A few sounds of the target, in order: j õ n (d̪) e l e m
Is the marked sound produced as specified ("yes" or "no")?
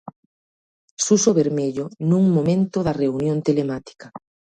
no